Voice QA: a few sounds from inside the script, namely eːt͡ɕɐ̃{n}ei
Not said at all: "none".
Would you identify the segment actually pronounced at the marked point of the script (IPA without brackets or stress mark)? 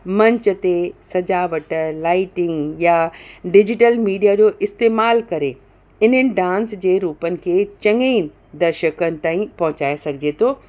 ŋ